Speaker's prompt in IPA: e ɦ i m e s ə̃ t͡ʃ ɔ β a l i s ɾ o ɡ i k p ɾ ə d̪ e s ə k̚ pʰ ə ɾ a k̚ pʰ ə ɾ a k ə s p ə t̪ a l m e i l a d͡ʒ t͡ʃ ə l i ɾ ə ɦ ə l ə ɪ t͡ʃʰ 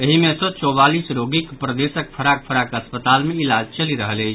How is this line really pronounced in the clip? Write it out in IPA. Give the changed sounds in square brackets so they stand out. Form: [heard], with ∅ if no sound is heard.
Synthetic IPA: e ɦ i m e s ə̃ t͡ʃ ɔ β a l i s ɾ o ɡ i k p ɾ ə d̪ e s ə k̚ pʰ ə ɾ a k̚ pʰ ə ɾ a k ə s p ə t̪ a l m e i l a d͡ʒ t͡ʃ ə l i ɾ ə ɦ ə l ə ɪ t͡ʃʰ

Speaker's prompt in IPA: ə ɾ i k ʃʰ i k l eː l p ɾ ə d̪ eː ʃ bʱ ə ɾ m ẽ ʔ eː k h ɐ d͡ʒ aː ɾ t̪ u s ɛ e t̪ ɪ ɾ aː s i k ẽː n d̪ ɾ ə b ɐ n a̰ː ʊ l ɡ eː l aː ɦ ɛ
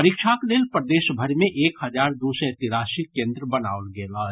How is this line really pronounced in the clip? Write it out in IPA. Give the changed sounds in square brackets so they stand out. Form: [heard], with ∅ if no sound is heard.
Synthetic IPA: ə ɾ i k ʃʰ [a] k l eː l p ɾ ə d̪ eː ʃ bʱ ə ɾ m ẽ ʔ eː k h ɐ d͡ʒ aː ɾ [d̪] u s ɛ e t̪ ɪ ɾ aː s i k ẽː n d̪ ɾ ə b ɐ n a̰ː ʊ l ɡ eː l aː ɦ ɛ

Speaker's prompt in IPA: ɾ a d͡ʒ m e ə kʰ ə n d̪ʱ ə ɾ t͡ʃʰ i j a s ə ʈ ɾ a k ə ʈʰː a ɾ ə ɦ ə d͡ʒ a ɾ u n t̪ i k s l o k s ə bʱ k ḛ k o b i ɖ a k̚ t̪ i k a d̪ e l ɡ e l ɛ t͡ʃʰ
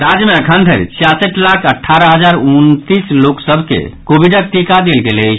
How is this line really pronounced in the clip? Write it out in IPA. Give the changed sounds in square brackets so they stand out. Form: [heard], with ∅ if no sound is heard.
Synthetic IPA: ɾ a d͡ʒ m e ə kʰ ə n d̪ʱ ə ɾ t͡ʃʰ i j a s ə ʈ [l] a [kʰ] ə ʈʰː a ɾ ə ɦ ə d͡ʒ a ɾ u n t̪ i [∅] s l o k s ə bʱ k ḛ k o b i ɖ [ə] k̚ t̪ i k a d̪ e l ɡ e l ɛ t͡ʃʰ

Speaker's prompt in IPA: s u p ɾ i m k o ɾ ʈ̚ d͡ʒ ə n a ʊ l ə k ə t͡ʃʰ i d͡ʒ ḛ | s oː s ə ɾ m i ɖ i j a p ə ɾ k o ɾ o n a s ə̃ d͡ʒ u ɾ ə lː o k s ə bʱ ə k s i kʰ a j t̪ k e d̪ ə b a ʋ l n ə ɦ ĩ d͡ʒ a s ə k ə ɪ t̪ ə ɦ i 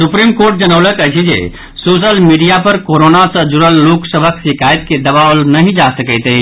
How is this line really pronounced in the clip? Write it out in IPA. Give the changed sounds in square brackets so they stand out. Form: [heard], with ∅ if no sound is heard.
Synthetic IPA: s u p ɾ i m k o ɾ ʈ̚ d͡ʒ ə n [ə] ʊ l ə k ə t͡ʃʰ i d͡ʒ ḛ | s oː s ə [l] m i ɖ i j a p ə ɾ k o ɾ o n a s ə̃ d͡ʒ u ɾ ə lː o k s ə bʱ ə k s i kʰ a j t̪ k e d̪ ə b a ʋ l n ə ɦ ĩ d͡ʒ a s ə k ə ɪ t̪ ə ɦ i

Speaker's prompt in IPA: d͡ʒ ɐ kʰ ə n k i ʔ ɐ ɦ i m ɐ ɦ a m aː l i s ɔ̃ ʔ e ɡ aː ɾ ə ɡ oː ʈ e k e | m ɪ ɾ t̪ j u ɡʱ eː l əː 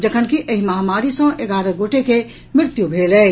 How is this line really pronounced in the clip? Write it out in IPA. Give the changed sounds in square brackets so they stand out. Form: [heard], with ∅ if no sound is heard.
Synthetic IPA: d͡ʒ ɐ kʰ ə n k i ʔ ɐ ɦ i m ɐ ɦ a m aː [ɾ] i s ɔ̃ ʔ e ɡ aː ɾ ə ɡ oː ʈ e k e | m ɪ ɾ t̪ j u [bʱ] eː l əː

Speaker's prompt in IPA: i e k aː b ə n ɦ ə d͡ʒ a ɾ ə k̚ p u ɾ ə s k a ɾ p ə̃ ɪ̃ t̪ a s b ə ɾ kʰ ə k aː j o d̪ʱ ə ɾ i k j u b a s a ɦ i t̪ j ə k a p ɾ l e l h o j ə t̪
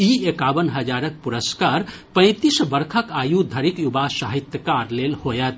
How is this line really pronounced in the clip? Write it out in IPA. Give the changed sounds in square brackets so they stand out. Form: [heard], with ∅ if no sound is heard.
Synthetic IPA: i e k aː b ə n ɦ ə d͡ʒ a ɾ ə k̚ p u ɾ ə s k a ɾ p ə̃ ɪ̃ t̪ [i] s b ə ɾ kʰ ə k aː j [u] d̪ʱ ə ɾ i k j u b a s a ɦ i t̪ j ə k a [∅] ɾ l e l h o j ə t̪

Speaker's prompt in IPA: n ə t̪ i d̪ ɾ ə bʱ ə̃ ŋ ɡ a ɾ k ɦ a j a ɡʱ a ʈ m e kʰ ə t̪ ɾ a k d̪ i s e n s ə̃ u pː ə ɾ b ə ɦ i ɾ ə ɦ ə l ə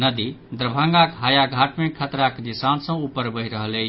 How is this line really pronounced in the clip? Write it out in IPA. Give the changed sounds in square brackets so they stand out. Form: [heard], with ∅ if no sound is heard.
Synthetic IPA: n ə [d̪] i d̪ ɾ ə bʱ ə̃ ŋ ɡ a [∅] k ɦ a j a ɡʱ a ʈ m e kʰ ə t̪ ɾ a k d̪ i s [a] n s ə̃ u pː ə ɾ b ə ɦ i ɾ ə ɦ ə l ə

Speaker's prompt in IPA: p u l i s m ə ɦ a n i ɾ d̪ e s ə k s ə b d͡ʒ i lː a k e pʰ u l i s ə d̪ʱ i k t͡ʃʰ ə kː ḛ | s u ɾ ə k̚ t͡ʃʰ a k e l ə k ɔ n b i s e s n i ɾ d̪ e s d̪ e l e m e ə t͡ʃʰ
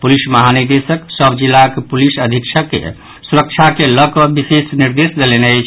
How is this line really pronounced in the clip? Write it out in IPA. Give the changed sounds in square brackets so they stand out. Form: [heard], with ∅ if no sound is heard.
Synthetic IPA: p u l i s m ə ɦ a n i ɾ d̪ e s ə k s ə b d͡ʒ i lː a k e [p] u l i s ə d̪ʱ i k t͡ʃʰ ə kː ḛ | s u ɾ ə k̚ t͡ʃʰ a k e l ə k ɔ [∅] b i s e s n i ɾ d̪ e s d̪ e l e [n] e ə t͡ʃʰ

